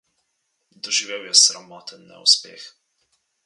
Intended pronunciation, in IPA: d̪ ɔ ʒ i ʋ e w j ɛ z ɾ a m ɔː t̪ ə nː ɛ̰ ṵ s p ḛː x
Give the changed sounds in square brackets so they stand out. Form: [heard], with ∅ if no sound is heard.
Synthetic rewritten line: d̪ ɔ ʒ i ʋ e w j ɛ [s] ɾ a m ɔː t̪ ə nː ɛ̰ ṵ s p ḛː x